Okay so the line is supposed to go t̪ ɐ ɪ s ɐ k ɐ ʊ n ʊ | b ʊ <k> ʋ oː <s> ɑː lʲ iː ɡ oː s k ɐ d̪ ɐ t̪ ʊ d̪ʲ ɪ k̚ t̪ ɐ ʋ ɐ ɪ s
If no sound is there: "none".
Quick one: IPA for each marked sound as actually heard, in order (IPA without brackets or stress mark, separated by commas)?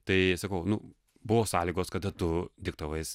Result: none, s